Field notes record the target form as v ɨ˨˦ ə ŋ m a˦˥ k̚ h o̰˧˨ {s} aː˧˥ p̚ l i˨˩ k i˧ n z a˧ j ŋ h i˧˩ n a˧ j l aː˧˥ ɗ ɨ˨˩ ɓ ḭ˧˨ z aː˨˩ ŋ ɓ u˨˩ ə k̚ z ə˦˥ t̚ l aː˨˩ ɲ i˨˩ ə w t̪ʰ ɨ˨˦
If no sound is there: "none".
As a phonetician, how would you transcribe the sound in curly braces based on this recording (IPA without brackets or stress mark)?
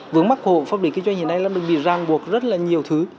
f